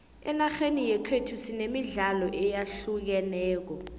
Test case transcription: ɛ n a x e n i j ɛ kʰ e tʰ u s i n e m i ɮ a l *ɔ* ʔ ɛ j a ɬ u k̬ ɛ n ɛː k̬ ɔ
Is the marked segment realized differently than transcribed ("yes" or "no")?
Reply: no